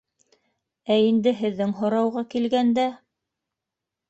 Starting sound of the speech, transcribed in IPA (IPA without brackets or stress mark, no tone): æ